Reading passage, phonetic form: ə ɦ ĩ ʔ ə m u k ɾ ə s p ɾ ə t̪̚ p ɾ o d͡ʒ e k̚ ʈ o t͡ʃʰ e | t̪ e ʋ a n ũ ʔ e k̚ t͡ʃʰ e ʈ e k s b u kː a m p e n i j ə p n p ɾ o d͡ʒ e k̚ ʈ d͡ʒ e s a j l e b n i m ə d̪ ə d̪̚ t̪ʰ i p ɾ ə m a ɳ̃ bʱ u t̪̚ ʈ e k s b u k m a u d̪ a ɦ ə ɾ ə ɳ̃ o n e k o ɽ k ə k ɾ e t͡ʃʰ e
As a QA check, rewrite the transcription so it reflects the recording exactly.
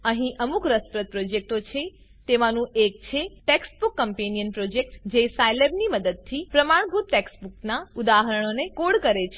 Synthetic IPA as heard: ə ɦ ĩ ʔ ə m u k ɾ ə s p ɾ ə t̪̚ p ɾ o d͡ʒ e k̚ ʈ o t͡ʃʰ e | t̪ e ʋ a n ũ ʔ e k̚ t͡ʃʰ e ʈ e k s b u kː ə m p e n i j ə n p ɾ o d͡ʒ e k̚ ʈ d͡ʒ e s a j l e b n i m ə d̪ ə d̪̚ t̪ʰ i p ɾ ə m a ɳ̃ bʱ u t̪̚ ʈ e k s b u k n a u d̪ a ɦ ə ɾ ə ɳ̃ o n e k o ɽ k ə ɾ e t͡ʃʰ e